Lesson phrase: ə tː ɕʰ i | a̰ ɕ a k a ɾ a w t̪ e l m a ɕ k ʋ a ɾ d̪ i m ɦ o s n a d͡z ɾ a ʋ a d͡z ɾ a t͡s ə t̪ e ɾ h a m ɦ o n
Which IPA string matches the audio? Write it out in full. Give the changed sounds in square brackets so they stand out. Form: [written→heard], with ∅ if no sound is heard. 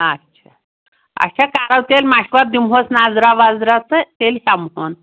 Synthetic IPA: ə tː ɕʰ [i→a] | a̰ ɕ a k a ɾ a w t̪ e l m a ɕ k ʋ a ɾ d̪ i m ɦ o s n a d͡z ɾ a ʋ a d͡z ɾ a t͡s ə t̪ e [ɾ→l] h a m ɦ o n